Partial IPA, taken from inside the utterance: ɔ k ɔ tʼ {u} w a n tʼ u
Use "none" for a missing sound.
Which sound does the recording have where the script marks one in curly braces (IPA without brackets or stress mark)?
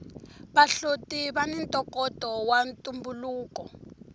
ɔ